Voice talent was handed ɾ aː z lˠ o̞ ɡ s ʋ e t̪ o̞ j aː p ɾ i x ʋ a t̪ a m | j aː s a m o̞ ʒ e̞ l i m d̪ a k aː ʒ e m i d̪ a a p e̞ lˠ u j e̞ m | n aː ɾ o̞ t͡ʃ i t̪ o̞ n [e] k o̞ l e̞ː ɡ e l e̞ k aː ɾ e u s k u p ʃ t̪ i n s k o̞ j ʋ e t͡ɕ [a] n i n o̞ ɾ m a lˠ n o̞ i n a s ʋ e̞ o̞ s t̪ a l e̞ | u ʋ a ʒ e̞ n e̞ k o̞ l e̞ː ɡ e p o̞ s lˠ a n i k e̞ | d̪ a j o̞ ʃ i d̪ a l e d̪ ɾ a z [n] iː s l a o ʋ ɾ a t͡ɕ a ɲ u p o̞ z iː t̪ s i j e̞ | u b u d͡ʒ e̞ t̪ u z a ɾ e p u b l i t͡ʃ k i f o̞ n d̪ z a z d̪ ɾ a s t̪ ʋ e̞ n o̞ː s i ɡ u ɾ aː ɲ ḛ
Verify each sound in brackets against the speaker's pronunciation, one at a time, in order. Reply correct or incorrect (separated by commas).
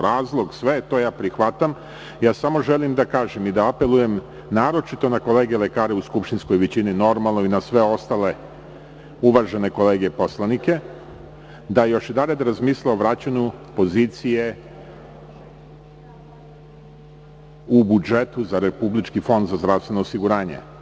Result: incorrect, incorrect, incorrect